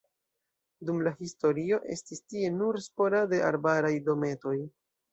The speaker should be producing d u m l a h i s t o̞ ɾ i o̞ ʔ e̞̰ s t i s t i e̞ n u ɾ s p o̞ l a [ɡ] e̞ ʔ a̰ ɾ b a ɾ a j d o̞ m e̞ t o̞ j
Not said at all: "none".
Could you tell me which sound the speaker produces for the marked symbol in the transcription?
d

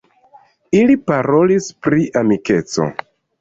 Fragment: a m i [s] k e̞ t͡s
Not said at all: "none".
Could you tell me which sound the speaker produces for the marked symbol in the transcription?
none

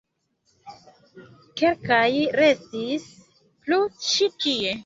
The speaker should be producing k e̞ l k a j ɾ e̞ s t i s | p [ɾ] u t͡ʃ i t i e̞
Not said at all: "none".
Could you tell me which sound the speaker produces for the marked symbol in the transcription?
l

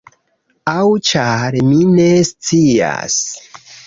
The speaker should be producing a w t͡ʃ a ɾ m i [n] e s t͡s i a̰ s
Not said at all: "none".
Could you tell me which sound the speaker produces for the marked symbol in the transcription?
n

